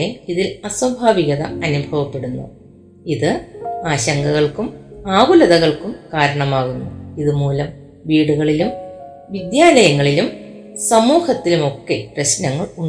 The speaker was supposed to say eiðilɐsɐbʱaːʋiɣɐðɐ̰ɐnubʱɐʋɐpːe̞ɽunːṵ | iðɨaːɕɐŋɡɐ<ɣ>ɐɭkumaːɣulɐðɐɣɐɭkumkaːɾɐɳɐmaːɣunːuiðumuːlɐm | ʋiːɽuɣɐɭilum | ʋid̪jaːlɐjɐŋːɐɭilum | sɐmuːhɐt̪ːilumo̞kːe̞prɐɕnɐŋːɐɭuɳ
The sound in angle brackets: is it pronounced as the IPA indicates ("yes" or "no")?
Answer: yes